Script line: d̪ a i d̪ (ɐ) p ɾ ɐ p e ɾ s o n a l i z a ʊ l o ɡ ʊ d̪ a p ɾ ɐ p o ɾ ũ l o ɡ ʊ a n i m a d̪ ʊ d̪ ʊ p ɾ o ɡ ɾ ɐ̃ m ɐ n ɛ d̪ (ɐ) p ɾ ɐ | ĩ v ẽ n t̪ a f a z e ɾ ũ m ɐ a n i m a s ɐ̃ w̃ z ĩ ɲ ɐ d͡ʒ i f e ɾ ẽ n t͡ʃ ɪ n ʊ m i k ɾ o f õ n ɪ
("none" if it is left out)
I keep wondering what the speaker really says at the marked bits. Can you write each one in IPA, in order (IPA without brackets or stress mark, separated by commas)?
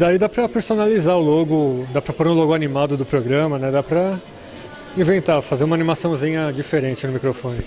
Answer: a, a